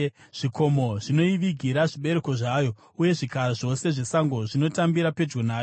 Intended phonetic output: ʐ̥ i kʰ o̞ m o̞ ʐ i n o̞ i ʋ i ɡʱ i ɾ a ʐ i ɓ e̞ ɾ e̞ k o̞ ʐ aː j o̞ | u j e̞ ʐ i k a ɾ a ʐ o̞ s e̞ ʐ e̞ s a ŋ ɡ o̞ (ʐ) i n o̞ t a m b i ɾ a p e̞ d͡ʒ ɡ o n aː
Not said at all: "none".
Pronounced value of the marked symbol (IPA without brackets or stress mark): ʐ